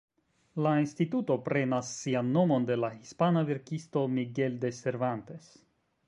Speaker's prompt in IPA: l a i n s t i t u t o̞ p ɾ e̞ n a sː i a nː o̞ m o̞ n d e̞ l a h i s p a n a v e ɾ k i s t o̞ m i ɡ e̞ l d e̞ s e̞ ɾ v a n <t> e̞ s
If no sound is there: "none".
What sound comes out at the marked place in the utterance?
t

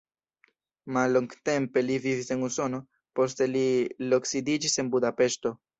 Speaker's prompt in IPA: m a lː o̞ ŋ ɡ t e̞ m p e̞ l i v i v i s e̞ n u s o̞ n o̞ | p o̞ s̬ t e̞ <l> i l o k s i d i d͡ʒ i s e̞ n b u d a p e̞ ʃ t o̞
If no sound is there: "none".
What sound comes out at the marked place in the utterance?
l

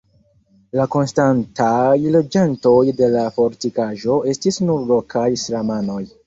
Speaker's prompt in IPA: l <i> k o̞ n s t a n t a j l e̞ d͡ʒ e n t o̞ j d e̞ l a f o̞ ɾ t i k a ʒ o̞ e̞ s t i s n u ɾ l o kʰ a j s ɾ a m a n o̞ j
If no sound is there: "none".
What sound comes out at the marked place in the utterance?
a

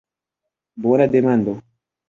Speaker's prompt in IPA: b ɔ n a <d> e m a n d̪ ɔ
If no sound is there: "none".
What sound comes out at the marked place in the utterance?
d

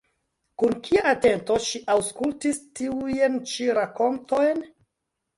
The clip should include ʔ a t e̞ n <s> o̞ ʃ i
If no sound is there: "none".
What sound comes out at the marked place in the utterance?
t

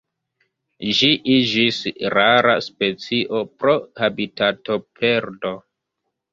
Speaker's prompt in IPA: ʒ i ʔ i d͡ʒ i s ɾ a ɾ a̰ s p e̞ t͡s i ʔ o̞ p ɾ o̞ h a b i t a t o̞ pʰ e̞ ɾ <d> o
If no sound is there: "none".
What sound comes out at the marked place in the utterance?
d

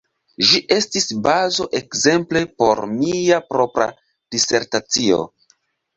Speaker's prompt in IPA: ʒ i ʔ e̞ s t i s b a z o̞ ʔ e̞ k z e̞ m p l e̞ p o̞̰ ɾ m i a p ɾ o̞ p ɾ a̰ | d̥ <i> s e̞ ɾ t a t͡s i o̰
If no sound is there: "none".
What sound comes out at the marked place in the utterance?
i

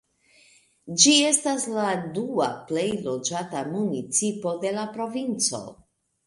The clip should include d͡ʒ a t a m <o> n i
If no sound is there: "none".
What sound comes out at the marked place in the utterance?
u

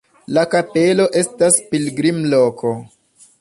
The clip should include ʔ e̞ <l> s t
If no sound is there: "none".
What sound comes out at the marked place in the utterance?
none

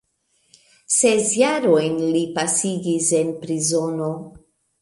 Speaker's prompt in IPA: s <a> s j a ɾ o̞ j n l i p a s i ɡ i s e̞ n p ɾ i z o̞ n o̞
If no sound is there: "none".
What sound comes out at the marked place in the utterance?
e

